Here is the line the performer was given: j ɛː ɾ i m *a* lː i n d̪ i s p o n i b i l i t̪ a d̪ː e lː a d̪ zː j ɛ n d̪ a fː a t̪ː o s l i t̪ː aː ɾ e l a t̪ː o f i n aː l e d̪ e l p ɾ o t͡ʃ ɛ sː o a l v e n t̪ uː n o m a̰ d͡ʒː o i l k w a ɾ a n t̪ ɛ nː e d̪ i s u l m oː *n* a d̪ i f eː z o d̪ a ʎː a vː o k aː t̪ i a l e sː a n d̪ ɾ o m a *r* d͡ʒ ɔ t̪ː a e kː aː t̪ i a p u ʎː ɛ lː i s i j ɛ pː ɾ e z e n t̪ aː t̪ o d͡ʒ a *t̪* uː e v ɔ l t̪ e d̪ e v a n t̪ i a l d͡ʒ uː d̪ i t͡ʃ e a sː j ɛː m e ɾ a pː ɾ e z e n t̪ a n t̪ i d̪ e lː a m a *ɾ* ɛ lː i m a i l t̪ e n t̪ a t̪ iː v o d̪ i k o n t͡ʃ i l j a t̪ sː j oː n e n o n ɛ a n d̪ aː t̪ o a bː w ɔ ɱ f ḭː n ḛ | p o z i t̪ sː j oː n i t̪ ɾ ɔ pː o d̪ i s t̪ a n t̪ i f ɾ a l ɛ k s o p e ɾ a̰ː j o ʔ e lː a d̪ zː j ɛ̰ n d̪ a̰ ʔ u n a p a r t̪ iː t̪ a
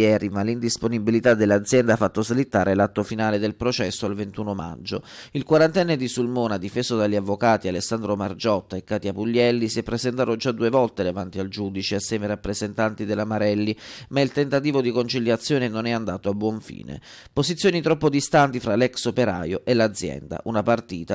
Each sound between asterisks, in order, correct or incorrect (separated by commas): correct, correct, correct, incorrect, correct